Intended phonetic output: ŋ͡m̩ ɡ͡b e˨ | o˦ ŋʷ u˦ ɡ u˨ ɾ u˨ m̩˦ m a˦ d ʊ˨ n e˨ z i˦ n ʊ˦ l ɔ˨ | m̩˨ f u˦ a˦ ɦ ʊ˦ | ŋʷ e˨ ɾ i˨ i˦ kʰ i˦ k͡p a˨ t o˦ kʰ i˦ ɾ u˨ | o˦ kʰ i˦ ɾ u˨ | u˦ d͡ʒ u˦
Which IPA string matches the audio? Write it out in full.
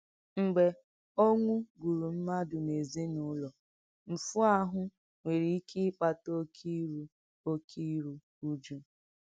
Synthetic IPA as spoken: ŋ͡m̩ ɡ͡b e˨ | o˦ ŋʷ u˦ ɡ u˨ ɾ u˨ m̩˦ m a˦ d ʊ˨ n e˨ z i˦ n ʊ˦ l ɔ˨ | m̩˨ f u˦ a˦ ɦ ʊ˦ | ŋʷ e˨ ɾ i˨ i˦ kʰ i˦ k͡p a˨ t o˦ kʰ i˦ ɾ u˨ | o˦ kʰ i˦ ɾ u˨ | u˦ d͡ʒ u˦